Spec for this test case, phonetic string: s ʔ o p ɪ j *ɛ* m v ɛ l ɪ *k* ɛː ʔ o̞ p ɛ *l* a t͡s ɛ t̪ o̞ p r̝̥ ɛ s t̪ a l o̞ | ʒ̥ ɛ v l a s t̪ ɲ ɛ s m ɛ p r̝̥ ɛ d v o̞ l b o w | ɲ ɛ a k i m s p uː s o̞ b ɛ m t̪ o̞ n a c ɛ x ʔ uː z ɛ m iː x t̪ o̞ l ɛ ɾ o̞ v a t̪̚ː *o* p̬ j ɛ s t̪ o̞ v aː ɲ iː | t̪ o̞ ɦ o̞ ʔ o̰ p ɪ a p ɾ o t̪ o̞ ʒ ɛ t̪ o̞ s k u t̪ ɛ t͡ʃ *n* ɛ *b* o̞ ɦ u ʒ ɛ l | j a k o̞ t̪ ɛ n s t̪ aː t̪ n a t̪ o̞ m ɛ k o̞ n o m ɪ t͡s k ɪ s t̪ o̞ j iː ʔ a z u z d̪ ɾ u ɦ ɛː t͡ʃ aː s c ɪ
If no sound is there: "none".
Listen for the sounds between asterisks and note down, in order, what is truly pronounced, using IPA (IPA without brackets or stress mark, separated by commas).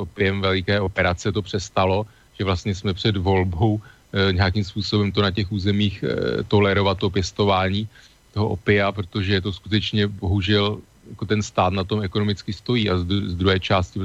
ɛ, k, ɾ, o, ɲ, b